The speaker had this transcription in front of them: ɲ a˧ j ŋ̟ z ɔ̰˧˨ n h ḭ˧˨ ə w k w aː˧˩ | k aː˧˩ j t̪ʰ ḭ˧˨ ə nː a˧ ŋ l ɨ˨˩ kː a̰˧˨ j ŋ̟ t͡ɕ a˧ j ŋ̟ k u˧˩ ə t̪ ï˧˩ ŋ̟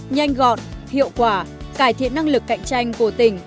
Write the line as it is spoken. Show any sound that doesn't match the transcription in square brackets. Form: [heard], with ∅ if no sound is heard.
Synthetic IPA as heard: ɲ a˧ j ŋ̟ [ɣ] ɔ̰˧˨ n h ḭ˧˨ ə w k w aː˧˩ | k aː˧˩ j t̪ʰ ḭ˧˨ ə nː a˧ ŋ l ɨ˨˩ kː a̰˧˨ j ŋ̟ t͡ɕ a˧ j ŋ̟ k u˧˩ ə t̪ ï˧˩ ŋ̟

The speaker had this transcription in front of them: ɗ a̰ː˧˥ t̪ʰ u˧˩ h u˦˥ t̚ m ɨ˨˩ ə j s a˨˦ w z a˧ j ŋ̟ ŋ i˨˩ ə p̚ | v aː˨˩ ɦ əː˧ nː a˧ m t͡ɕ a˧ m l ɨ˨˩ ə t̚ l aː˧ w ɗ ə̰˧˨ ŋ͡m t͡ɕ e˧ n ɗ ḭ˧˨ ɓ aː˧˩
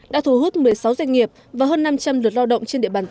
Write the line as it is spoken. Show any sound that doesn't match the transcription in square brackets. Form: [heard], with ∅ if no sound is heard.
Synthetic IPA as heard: ɗ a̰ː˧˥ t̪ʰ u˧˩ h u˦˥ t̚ m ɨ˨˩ ə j s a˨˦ w z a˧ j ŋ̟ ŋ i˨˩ ə p̚ | v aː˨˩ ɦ əː˧ nː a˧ m t͡ɕ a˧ m l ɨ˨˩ ə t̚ l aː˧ w ɗ ə̰˧˨ ŋ͡m t͡ɕ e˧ n ɗ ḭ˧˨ ɓ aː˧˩

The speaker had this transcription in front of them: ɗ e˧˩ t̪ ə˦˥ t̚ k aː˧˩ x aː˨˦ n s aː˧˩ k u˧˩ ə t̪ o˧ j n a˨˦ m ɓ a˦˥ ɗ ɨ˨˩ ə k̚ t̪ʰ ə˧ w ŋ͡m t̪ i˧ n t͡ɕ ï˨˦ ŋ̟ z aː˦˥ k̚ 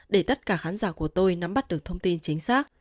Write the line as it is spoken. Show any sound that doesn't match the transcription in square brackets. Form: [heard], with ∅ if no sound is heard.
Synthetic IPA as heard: ɗ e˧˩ t̪ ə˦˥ t̚ k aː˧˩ x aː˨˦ n [z] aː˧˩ k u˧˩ ə t̪ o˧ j n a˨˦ m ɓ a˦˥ ɗ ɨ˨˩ ə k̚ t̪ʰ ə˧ w ŋ͡m t̪ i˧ n t͡ɕ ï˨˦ ŋ̟ [s] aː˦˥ k̚

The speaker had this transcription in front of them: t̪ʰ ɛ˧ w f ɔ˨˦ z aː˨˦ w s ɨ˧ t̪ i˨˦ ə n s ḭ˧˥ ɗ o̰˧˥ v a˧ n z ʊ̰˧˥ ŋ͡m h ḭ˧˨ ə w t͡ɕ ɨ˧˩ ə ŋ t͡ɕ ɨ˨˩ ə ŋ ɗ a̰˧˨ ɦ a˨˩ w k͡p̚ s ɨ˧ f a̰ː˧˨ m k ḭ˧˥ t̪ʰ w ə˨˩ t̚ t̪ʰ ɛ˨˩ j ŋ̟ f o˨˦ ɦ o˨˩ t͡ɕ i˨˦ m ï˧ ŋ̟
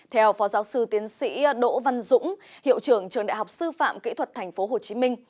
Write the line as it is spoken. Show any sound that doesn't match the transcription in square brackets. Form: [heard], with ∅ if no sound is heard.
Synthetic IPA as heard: t̪ʰ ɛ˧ w f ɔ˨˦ z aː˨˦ w s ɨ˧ t̪ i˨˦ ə n s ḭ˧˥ ɗ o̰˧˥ v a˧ n z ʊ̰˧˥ ŋ͡m h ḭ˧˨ ə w t͡ɕ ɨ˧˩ ə ŋ t͡ɕ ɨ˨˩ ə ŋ ɗ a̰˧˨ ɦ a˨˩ w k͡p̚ s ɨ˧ f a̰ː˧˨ m k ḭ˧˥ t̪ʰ w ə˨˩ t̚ t̪ʰ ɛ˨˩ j ŋ̟ f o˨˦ ɦ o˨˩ t͡ɕ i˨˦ m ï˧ ŋ̟

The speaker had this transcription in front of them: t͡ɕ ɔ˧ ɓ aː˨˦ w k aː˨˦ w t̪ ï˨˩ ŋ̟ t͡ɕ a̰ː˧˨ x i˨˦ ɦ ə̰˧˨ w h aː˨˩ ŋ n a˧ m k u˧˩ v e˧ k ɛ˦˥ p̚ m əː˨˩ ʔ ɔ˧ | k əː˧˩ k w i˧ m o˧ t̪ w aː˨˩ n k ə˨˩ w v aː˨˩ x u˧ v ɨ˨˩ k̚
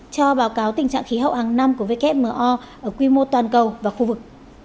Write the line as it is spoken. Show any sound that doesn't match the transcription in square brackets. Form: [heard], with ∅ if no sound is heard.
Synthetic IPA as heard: t͡ɕ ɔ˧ ɓ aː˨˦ w k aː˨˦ w t̪ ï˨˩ ŋ̟ t͡ɕ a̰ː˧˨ x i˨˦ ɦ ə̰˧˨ w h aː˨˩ ŋ n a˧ m k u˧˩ v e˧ k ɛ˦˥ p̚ m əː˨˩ ʔ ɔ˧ | [ʔ] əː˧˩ k w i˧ m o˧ t̪ w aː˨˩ n k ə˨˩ w v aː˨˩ x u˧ v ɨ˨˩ k̚

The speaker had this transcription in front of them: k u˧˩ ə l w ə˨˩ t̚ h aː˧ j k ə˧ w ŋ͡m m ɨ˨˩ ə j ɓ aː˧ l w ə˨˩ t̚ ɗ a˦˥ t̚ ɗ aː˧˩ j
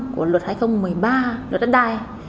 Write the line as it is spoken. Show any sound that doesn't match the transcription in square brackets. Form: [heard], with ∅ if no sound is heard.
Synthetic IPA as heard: k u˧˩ ə l w ə˨˩ t̚ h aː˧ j [x] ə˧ w ŋ͡m m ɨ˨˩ ə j ɓ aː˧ l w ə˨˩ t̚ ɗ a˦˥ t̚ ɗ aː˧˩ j

